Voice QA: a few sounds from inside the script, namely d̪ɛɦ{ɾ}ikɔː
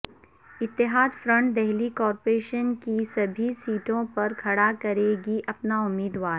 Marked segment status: incorrect: l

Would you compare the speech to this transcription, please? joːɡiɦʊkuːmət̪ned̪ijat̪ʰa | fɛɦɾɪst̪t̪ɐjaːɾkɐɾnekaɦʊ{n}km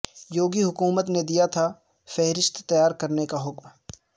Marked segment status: incorrect: none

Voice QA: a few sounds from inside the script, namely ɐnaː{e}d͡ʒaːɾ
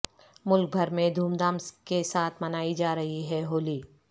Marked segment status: incorrect: i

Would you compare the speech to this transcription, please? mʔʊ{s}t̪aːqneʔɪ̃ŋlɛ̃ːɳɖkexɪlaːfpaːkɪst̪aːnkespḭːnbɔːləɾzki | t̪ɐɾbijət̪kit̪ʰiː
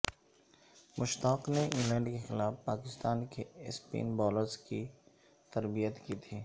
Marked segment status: incorrect: ʃ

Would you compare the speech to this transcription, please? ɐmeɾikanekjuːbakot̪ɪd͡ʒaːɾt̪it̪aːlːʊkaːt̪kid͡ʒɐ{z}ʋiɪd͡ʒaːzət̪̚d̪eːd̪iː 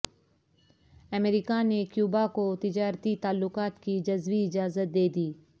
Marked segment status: correct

